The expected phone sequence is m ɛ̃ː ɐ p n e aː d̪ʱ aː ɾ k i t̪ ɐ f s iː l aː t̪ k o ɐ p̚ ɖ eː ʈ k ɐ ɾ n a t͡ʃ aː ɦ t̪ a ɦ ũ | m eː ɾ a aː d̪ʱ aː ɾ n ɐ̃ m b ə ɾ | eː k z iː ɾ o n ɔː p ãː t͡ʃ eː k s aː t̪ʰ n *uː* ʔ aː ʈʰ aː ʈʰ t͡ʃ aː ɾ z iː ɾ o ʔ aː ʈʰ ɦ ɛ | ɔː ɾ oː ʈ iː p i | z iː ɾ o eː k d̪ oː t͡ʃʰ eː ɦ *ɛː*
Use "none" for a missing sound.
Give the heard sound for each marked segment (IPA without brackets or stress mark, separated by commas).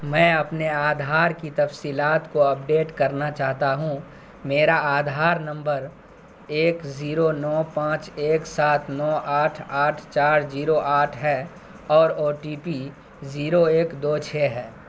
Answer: ɔː, ɛː